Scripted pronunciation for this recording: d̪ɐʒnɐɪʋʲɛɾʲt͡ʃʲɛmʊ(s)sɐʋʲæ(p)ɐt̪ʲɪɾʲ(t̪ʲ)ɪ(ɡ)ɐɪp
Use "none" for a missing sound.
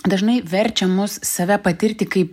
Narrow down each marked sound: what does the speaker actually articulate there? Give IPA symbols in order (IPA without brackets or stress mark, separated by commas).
s, p, t̪ʲ, k